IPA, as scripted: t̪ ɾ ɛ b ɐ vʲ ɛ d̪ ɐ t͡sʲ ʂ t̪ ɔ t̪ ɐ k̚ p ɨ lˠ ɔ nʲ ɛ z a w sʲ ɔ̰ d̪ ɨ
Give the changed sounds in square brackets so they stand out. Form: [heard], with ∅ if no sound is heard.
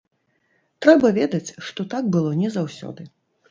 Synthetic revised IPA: t̪ ɾ ɛ b ɐ vʲ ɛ d̪ ɐ t͡sʲ ʂ t̪ ɔ t̪ [a] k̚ [b] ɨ lˠ ɔ nʲ ɛ z a w sʲ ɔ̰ d̪ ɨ